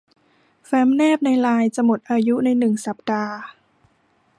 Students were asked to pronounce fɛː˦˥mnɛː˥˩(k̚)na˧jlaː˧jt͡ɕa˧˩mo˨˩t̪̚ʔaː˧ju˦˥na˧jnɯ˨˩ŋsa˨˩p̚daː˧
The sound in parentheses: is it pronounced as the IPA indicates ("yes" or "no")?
no